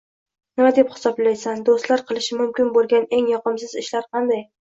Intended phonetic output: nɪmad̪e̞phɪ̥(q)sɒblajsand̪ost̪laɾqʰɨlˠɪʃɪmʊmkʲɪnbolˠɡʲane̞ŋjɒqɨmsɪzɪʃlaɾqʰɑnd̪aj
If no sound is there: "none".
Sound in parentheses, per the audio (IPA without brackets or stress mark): none